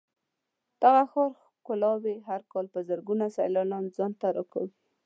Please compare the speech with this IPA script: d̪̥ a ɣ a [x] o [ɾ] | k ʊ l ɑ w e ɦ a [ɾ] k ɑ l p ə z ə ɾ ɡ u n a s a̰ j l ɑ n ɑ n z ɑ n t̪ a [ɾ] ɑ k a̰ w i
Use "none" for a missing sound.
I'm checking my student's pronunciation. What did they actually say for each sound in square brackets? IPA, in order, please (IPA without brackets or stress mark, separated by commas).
x, ɾ, ɾ, ɾ